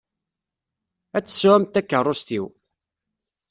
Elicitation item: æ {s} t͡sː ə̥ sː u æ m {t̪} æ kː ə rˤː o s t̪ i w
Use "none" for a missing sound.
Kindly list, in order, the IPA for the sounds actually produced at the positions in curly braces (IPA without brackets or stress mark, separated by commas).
none, t̪